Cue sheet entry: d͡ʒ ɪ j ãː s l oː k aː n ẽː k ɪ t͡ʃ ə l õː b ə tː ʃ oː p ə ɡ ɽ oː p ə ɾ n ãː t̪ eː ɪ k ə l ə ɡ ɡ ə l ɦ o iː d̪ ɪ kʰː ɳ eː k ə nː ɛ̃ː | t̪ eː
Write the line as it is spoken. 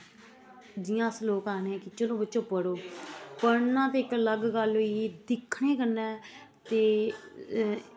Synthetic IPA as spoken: d͡ʒ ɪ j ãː s l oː k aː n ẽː k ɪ t͡ʃ ə l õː b ə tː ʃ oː p ə ɽ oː p ə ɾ n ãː t̪ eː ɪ k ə l ə ɡ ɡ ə l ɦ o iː d̪ ɪ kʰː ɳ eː k ə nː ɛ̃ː | t̪ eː